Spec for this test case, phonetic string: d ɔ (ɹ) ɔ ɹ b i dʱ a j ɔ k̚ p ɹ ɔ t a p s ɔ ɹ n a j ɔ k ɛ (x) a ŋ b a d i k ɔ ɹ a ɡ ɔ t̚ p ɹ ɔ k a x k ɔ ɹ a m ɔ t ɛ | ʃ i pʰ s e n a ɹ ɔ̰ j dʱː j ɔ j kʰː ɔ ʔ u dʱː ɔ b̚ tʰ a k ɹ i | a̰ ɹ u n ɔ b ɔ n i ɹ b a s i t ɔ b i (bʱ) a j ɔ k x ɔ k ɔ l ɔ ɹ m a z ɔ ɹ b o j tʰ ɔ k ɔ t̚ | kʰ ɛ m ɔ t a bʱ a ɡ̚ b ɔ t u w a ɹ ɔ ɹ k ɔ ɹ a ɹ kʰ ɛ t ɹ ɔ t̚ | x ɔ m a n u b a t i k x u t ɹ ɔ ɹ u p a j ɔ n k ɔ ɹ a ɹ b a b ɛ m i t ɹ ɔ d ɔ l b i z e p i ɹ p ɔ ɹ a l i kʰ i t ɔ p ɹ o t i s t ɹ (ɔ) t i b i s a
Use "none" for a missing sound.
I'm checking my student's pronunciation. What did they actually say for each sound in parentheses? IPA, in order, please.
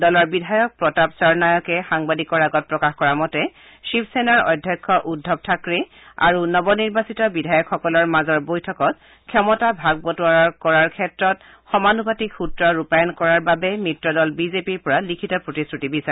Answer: l, x, dʱ, u

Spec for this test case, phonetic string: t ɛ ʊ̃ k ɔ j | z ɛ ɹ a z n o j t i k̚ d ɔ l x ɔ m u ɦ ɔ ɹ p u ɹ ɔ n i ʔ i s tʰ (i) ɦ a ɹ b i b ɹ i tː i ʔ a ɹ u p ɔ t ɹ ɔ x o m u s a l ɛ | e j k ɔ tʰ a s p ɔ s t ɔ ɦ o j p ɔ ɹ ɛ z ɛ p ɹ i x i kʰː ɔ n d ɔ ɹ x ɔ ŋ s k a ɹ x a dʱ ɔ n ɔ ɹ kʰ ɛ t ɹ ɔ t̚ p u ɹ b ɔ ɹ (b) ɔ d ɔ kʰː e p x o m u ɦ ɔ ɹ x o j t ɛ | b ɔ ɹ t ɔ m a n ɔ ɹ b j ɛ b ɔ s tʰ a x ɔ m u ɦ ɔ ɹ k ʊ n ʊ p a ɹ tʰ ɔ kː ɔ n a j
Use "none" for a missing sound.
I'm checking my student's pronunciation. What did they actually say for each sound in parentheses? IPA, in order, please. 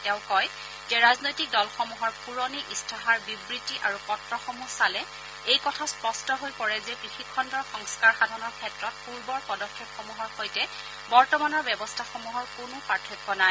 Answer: a, p

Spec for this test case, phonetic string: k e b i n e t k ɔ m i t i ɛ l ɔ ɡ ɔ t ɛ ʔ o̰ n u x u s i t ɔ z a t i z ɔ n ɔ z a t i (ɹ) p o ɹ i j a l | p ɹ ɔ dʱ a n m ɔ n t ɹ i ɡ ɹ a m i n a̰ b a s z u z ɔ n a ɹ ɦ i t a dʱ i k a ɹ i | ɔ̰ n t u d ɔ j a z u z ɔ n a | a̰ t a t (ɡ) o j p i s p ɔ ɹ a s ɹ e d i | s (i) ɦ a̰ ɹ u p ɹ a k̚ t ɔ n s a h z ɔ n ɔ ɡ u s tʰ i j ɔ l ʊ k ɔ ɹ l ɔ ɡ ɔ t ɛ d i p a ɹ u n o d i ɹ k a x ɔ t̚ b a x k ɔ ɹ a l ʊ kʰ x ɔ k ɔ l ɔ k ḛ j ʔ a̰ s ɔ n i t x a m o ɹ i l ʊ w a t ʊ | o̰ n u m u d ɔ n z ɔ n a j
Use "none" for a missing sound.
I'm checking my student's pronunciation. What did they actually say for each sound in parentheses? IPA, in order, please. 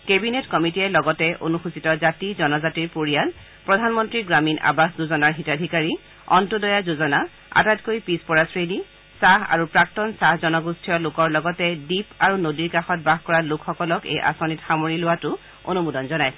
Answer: ɹ, k, a

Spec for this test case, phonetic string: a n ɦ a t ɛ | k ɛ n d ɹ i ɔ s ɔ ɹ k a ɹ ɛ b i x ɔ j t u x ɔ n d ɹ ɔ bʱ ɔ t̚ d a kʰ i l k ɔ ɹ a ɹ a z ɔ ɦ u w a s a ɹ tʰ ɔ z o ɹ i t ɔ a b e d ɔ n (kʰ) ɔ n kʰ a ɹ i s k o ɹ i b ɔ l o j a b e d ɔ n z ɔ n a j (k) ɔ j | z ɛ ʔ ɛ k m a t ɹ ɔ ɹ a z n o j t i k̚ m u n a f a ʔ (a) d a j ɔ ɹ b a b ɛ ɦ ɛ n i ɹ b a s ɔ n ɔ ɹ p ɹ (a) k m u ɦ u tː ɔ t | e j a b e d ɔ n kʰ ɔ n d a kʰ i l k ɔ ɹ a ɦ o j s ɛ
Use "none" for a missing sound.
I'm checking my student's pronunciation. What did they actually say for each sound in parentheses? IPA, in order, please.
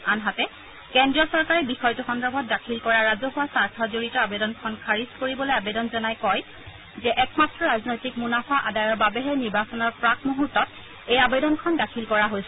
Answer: kʰ, k, a, a

